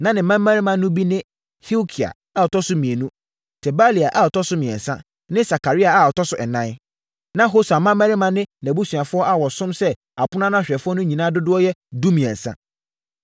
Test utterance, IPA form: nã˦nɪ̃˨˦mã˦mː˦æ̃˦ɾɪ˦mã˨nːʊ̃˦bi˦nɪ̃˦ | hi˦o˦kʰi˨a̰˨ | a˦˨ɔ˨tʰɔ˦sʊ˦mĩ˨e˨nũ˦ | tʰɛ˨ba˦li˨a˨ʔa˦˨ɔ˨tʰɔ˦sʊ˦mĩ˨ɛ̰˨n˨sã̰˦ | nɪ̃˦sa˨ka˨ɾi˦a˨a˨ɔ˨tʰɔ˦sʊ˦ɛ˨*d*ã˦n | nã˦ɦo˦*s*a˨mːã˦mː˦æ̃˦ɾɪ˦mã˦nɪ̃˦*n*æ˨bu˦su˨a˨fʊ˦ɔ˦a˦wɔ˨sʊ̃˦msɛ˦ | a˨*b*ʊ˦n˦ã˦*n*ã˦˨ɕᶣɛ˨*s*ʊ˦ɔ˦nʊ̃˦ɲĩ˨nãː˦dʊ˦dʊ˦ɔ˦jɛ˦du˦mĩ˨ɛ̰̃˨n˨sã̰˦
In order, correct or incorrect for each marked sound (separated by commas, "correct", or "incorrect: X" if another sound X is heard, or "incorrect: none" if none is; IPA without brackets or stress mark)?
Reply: incorrect: n, correct, correct, incorrect: p, correct, incorrect: f